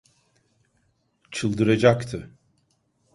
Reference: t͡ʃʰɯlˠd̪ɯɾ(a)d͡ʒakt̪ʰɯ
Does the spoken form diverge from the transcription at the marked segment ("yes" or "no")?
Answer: no